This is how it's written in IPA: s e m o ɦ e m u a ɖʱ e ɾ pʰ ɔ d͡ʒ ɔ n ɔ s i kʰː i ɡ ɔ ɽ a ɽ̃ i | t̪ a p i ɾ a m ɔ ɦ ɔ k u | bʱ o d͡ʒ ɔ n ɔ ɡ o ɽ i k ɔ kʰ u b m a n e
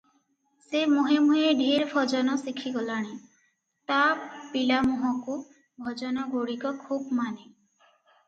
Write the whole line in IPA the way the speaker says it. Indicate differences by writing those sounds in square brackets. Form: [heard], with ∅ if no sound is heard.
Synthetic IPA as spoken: s e m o ɦ e m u [e] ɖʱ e ɾ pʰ ɔ d͡ʒ ɔ n ɔ s i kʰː i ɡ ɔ [l] a ɽ̃ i | t̪ a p i [l] a m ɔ ɦ ɔ k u | bʱ [ɔ] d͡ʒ ɔ n ɔ ɡ o ɽ i k ɔ kʰ u b m a n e